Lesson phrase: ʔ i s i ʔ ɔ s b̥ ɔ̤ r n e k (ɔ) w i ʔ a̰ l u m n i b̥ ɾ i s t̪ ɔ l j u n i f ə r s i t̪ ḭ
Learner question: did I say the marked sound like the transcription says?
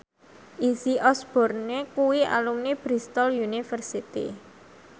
no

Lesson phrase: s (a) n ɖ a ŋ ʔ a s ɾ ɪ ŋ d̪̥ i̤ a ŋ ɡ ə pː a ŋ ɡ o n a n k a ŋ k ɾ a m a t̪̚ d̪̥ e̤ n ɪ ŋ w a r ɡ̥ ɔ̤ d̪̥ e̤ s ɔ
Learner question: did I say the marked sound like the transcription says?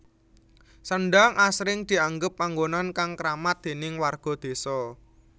no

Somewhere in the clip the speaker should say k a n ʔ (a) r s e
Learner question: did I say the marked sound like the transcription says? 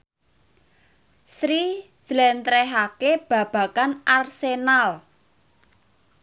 yes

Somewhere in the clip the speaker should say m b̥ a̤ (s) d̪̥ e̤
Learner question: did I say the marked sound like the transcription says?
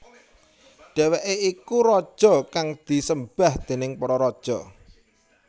no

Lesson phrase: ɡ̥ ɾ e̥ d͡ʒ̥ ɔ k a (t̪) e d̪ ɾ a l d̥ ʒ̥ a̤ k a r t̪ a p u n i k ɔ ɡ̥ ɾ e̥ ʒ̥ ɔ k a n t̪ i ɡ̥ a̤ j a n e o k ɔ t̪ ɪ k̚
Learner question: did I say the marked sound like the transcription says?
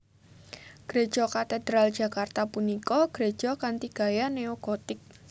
yes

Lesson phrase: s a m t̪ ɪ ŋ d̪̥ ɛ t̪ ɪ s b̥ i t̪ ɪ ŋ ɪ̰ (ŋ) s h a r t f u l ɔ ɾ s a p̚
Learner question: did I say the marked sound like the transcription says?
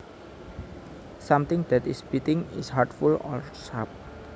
no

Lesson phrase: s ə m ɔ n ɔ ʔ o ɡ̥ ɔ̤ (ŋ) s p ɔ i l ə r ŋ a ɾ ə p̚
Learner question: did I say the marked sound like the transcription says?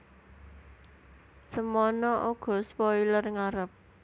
no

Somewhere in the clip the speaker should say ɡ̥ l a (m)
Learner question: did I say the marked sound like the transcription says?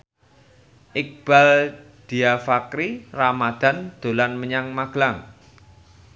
no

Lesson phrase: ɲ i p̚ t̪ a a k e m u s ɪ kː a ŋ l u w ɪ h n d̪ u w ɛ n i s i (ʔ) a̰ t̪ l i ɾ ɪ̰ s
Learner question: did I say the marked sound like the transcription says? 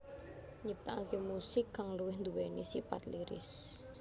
no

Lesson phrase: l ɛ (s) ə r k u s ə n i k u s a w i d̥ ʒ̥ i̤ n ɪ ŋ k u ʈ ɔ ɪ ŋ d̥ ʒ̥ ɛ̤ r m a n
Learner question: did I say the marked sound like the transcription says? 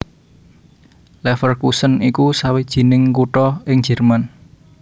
no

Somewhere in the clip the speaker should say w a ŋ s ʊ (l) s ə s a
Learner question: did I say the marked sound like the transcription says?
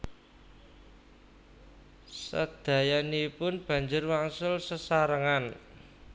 yes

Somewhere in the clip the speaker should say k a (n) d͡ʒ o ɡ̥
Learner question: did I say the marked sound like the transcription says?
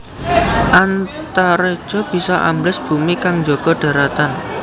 no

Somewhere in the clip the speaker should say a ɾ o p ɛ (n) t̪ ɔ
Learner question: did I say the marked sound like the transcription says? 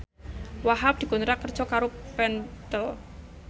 yes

